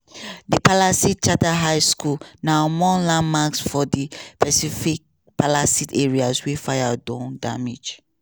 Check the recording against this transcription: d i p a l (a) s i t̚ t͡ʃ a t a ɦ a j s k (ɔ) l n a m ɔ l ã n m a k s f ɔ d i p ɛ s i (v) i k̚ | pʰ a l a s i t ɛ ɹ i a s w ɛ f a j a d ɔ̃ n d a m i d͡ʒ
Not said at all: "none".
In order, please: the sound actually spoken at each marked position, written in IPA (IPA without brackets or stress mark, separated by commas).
a, u, f